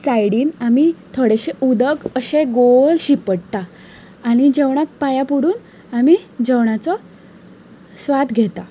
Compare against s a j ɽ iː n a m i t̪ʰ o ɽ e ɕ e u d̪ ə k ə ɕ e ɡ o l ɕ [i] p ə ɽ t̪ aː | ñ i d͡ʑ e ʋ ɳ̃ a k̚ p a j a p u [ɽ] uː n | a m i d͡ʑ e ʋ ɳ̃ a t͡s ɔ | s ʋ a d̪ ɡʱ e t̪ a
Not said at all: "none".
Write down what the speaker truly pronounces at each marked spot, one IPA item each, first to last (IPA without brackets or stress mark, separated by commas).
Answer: i, ɽ